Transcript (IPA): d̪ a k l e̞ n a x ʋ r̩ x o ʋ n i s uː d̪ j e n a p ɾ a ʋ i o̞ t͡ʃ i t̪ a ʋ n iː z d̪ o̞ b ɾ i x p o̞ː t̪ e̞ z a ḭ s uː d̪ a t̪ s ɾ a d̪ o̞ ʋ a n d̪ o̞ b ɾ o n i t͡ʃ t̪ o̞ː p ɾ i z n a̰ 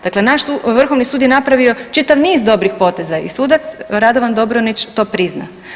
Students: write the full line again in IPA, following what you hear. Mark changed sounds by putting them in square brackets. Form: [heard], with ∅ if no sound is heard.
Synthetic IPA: d̪ a k l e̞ n a [ʃ] ʋ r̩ x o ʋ n i s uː d̪ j e n a p ɾ a ʋ i o̞ t͡ʃ i t̪ a ʋ n iː z d̪ o̞ b ɾ i x p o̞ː t̪ e̞ z a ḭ s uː d̪ a t̪ s ɾ a d̪ o̞ ʋ a n d̪ o̞ b ɾ o n i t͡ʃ t̪ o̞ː p ɾ i z n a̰